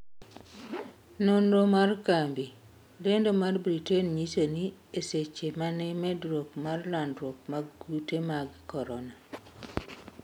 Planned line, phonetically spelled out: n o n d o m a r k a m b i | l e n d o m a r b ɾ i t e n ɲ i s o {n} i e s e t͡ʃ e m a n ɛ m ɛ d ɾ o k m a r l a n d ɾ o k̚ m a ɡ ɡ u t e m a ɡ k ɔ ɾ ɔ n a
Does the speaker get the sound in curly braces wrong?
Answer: no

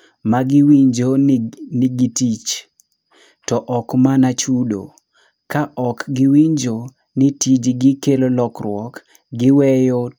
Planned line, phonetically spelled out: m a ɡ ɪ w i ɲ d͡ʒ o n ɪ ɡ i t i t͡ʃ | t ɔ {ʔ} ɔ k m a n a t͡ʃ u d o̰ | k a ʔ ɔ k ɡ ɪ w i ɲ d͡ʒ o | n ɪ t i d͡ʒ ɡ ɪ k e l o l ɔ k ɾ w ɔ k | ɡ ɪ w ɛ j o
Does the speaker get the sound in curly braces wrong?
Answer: no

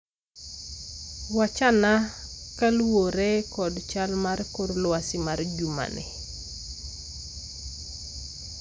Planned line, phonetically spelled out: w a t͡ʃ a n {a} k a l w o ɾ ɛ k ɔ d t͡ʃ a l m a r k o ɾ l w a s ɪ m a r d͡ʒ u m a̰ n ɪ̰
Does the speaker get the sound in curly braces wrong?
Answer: no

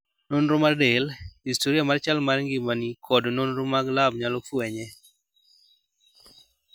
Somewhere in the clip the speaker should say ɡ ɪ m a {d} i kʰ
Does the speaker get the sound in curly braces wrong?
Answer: yes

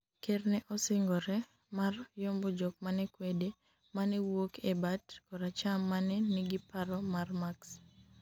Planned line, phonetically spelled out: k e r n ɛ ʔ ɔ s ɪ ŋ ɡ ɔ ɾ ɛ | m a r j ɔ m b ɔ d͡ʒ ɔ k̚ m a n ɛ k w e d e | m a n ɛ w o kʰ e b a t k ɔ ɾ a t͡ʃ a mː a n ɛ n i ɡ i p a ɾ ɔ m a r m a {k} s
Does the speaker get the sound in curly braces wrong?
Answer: no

